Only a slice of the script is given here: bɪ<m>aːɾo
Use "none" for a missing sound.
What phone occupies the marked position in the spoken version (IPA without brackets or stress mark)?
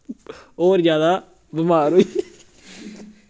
m